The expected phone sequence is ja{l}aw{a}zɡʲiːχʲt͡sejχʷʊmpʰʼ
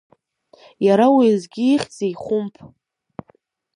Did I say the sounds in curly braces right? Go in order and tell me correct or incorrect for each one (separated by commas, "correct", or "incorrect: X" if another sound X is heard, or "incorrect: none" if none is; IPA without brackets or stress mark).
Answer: incorrect: ɾ, incorrect: i